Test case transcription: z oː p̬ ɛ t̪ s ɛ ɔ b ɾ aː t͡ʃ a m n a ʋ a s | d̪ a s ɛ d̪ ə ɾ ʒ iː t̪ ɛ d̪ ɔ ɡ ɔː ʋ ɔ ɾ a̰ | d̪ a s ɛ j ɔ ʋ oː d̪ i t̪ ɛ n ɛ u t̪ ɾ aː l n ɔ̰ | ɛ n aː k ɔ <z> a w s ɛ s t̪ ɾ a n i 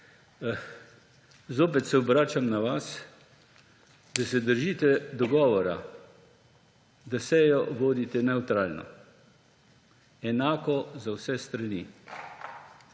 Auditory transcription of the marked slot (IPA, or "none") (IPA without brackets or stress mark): z